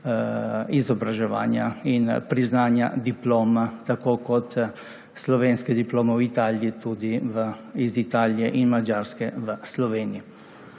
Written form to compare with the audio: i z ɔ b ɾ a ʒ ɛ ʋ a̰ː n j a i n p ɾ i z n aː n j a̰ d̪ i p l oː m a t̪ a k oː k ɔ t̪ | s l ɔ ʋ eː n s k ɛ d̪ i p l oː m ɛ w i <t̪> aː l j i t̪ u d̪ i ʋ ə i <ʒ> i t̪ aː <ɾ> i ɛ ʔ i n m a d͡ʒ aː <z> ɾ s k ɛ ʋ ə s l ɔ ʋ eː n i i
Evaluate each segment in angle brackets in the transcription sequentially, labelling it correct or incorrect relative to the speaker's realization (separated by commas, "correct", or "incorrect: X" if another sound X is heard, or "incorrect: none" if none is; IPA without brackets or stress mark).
correct, incorrect: z, incorrect: l, incorrect: none